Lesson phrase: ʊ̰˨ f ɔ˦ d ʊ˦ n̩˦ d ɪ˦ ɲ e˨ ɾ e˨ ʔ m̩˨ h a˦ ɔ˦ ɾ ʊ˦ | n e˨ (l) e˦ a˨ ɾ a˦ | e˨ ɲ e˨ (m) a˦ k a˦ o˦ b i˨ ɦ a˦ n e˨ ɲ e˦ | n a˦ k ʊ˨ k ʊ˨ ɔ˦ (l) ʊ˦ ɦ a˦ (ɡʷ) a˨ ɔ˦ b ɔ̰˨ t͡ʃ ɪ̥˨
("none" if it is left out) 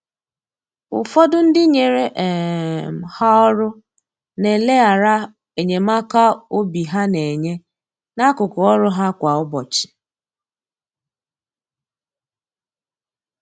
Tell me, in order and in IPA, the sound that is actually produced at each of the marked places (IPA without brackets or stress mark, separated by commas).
l, m, ɾ, kʷ